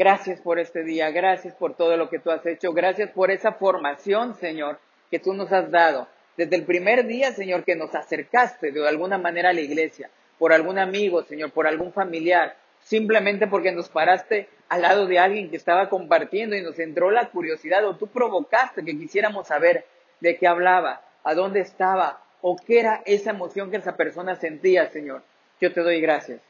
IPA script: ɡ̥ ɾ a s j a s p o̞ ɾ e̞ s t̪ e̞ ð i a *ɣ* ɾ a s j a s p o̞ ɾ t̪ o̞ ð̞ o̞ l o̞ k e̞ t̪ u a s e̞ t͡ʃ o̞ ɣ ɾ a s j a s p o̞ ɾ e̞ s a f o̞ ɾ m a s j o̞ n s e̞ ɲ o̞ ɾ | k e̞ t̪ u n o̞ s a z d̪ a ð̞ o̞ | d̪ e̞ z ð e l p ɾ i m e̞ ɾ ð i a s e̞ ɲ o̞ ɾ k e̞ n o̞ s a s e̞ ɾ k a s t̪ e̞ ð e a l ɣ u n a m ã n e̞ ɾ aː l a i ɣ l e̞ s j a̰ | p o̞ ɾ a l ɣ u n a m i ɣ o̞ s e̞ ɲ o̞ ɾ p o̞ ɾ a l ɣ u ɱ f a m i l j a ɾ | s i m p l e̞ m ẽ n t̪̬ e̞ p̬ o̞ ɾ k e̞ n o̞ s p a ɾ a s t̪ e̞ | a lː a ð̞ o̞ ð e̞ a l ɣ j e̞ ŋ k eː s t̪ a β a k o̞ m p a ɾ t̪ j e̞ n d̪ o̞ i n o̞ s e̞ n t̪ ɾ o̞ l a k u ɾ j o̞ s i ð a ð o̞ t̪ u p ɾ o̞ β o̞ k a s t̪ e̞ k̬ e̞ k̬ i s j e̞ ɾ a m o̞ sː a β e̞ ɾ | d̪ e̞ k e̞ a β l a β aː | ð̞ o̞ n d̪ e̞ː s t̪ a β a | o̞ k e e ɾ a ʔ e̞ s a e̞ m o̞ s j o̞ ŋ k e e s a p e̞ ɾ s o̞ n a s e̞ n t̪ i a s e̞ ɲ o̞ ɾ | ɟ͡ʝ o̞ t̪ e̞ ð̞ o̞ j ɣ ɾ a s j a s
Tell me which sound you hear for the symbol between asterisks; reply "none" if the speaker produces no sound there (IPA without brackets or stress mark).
ɣ